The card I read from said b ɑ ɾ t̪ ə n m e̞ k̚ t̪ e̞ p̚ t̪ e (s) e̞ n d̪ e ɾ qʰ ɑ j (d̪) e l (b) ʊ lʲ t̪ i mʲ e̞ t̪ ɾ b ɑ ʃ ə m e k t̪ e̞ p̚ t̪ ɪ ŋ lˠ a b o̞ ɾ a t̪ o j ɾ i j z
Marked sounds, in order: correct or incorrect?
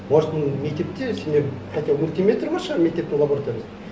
correct, incorrect: t̪, incorrect: m

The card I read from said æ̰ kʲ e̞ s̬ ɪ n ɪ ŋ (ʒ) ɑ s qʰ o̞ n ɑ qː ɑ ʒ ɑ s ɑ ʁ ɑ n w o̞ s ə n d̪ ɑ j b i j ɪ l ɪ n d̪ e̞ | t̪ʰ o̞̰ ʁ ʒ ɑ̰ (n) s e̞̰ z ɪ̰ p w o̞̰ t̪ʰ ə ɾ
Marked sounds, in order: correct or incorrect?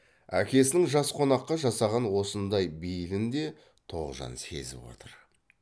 correct, correct

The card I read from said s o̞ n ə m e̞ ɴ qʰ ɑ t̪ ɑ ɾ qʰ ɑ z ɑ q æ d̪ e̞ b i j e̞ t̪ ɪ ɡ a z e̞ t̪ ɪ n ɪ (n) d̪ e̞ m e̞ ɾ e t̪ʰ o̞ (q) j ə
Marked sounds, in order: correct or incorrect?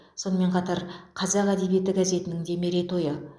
incorrect: ŋ, incorrect: none

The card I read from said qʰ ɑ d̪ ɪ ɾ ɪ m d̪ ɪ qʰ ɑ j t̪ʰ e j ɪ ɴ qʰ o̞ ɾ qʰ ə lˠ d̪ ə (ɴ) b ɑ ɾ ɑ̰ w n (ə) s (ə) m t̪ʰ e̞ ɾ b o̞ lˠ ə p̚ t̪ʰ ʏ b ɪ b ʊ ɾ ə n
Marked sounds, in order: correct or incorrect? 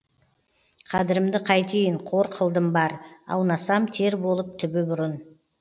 incorrect: m, incorrect: ɑ, incorrect: ɑ

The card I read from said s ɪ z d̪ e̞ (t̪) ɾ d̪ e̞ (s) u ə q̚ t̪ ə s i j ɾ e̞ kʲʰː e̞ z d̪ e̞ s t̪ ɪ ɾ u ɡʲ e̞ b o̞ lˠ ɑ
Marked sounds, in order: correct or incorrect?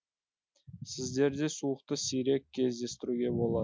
incorrect: none, correct

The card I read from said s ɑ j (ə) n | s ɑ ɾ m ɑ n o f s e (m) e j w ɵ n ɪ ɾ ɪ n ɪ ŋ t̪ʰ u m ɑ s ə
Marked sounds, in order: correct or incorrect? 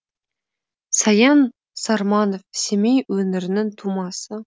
incorrect: ɑ, correct

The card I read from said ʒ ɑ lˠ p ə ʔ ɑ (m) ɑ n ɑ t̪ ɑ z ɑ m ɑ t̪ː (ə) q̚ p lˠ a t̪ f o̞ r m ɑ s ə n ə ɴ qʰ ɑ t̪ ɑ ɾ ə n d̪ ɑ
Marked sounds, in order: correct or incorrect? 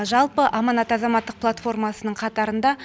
correct, correct

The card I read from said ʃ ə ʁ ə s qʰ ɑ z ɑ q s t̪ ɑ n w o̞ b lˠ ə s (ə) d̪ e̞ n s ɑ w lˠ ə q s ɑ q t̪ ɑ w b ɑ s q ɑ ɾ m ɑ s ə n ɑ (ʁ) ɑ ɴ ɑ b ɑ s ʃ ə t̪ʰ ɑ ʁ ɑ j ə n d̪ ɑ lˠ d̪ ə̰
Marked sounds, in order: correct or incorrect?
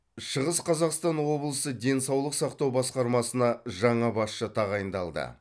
correct, incorrect: ʒ

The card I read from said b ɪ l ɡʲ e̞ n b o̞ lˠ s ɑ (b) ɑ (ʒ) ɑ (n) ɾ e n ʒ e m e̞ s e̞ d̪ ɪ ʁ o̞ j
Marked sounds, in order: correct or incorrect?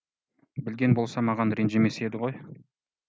incorrect: m, incorrect: ʁ, correct

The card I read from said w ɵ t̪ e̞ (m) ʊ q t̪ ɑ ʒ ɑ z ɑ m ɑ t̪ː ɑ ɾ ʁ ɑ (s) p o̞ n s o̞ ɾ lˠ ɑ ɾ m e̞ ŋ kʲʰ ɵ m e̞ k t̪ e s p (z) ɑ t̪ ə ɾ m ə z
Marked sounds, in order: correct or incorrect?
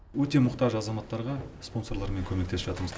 correct, correct, incorrect: ʒ

